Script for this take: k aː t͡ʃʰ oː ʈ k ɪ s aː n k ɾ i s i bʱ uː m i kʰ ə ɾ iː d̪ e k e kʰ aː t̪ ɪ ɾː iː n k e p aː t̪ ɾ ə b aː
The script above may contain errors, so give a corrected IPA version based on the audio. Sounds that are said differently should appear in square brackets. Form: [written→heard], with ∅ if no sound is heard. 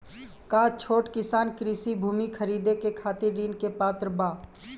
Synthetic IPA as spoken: k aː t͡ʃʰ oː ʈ k ɪ s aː n k ɾ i s i bʱ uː m i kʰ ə ɾ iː d̪ e k e kʰ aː t̪ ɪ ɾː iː n k e p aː t̪ ɾ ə b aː

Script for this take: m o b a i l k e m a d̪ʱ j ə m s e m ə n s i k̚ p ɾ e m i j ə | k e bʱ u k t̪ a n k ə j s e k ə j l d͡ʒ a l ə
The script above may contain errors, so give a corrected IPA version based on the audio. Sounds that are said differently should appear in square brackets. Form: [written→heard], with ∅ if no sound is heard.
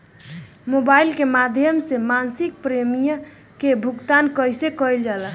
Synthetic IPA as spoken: m o b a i l k e m a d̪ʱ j ə m s e m [ə→a] n s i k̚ p ɾ e m i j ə | k e bʱ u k t̪ a n k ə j s e k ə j l d͡ʒ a l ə

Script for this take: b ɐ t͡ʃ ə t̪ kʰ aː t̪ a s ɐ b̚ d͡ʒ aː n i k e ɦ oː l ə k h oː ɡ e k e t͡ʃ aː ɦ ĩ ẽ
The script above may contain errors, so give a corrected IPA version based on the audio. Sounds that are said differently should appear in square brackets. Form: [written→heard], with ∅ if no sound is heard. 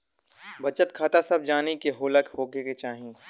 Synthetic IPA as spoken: b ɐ t͡ʃ ə t̪ kʰ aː t̪ a s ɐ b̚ d͡ʒ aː n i k e ɦ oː l ə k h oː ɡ e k e t͡ʃ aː ɦ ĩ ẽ

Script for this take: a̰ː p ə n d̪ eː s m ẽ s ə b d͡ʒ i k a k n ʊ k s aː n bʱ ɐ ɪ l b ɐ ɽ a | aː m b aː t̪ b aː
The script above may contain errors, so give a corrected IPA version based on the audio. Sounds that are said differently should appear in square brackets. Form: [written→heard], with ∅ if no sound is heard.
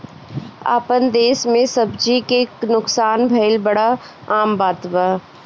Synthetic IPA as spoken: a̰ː p ə n d̪ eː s m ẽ s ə b d͡ʒ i k [a→e] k n ʊ k s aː n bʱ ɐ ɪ l b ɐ ɽ a | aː m b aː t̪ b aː

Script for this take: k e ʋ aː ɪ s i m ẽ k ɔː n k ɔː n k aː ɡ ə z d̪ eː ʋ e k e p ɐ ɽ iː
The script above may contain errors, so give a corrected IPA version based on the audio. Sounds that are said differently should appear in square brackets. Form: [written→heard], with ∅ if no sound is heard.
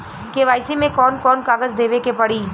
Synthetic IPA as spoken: k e ʋ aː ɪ s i m ẽ k ɔː n k ɔː n k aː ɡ ə z d̪ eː ʋ e k e p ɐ ɽ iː

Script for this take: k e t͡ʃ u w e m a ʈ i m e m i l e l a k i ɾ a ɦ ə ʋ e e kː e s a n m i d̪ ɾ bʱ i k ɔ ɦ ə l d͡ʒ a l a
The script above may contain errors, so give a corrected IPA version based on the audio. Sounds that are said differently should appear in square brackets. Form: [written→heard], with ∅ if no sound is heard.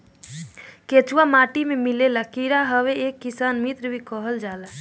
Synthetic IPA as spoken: k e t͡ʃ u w [e→a] m a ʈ i m e m i l e l a k i ɾ a ɦ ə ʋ e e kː [e→i] s a n m i [d̪→t̪] ɾ bʱ i k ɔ ɦ ə l d͡ʒ a l a

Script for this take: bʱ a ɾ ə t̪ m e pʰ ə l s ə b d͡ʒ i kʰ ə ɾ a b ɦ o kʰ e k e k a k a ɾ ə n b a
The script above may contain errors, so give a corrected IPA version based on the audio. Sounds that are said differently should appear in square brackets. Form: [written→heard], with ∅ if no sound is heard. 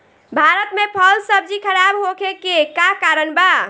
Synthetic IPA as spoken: bʱ a ɾ ə t̪ m e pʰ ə l s ə b d͡ʒ i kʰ ə ɾ a b ɦ o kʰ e k e k a k a ɾ ə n b a

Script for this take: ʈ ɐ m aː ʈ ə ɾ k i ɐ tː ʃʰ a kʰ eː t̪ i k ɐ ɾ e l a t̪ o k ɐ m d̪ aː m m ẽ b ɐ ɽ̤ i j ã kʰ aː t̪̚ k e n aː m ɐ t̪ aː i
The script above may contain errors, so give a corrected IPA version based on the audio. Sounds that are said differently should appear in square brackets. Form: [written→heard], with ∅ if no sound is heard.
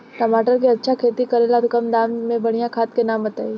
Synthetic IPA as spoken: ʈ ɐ m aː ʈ ə ɾ k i ɐ tː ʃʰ a kʰ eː t̪ i k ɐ ɾ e l a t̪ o k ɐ m d̪ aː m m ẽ b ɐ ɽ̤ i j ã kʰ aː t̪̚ k e n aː m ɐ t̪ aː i

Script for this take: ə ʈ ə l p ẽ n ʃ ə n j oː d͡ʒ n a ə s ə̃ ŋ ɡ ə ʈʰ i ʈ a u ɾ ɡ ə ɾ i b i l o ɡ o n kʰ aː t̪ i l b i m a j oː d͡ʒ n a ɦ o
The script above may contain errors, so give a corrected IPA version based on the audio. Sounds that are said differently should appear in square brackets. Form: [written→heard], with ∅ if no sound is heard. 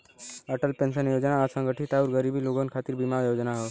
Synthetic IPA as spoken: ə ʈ ə l p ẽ n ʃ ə n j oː d͡ʒ n a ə s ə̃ ŋ ɡ ə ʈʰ i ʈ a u ɾ ɡ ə ɾ i b i l o ɡ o n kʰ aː t̪ i [l→ɾ] b i m a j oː d͡ʒ n a ɦ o

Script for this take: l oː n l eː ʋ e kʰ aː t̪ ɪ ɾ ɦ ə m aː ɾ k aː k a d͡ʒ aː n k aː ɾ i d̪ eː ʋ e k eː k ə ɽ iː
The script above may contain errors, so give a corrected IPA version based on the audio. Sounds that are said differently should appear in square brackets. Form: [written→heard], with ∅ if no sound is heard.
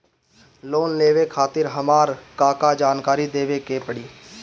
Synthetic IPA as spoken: l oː n l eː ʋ e kʰ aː t̪ ɪ ɾ ɦ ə m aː ɾ k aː k a d͡ʒ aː n k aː ɾ i d̪ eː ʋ e k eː [k→p] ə ɽ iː

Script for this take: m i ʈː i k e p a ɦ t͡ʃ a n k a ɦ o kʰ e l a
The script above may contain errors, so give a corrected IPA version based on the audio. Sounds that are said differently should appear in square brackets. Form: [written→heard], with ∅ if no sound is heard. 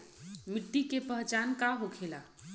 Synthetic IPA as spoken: m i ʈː i k e p [a→ə] ɦ t͡ʃ a n k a ɦ o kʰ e l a

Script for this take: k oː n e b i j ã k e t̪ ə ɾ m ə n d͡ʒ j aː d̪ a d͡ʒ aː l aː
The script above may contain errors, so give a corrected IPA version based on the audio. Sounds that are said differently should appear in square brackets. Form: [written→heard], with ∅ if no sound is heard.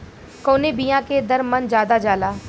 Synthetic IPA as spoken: k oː n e b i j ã k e [t̪→d̪] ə ɾ m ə n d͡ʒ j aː d̪ a d͡ʒ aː l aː

